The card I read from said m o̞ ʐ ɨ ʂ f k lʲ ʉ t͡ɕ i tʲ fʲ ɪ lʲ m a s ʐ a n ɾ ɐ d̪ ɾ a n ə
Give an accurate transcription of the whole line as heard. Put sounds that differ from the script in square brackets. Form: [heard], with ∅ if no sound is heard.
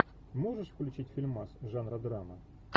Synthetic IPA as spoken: m o̞ ʐ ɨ ʂ f k lʲ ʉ t͡ɕ i tʲ fʲ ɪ lʲ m a s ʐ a n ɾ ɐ d̪ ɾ a [m] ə